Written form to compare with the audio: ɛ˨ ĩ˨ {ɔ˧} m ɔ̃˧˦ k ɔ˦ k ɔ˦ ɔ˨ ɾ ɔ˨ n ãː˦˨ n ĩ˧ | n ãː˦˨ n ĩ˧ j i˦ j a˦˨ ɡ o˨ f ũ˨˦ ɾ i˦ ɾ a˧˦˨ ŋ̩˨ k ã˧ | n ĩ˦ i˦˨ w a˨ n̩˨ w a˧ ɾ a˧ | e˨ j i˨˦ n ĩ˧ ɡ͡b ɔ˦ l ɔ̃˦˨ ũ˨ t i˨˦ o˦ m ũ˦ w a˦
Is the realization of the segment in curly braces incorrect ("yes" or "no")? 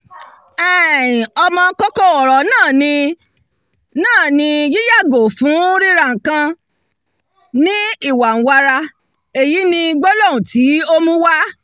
no